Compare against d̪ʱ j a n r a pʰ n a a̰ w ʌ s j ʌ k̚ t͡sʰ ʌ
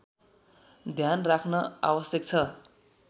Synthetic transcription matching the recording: d̪ʱ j a n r a kʰ n ʌ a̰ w ʌ s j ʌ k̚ t͡sʰ ʌ